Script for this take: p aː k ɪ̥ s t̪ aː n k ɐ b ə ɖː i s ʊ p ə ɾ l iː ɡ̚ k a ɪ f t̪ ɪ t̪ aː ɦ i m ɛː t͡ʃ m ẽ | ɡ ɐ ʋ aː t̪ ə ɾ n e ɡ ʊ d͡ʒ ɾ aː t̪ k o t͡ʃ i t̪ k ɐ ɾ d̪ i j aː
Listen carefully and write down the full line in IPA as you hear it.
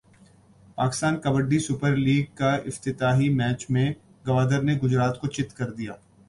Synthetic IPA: p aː k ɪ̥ s t̪ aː n k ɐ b ə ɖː i s ʊ p ə ɾ l iː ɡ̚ k a ɪ f t̪ ɪ t̪ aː ɦ i m ɛː t͡ʃ m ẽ | ɡ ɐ ʋ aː d̪ ə ɾ n e ɡ ʊ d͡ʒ ɾ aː t̪ k o t͡ʃ ɪ t̪ k ɐ ɾ d̪ i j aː